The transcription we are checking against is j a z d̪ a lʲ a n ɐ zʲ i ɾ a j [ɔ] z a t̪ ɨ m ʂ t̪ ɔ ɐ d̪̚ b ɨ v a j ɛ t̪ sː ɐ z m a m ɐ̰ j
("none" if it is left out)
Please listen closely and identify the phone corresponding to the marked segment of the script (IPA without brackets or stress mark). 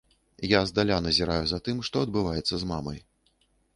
u